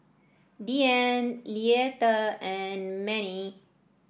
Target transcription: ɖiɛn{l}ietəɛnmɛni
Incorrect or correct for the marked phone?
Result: correct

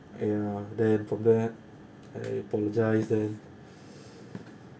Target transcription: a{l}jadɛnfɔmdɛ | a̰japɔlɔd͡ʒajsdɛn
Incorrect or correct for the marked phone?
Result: incorrect: none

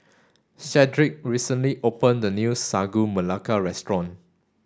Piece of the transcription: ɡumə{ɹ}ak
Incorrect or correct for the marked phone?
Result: incorrect: l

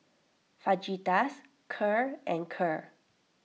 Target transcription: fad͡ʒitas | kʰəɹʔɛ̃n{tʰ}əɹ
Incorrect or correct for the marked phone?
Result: incorrect: kʰ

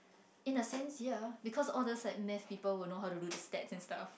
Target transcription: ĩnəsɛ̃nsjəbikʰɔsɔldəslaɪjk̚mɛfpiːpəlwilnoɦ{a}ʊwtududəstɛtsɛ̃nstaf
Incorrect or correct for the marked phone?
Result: correct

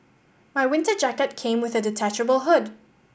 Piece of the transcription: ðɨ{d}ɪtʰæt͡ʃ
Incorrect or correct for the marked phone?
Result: correct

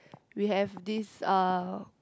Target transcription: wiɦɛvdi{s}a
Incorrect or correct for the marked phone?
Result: correct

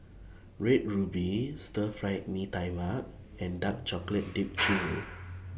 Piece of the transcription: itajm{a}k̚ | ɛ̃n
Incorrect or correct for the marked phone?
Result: correct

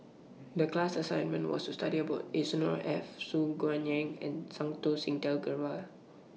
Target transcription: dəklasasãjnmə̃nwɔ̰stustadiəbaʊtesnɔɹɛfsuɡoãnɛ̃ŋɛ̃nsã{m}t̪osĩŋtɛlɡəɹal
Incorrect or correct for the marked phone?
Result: incorrect: ŋ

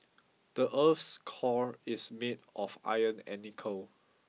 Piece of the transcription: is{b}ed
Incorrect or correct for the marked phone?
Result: incorrect: m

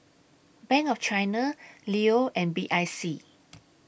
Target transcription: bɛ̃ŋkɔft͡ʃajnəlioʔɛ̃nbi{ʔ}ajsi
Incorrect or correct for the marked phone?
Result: correct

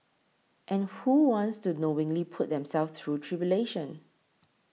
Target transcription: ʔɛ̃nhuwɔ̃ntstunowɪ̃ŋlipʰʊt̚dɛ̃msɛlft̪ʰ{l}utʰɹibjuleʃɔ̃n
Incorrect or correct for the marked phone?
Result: incorrect: ɹ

